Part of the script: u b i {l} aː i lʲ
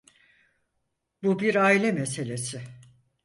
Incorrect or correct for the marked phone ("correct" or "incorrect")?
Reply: incorrect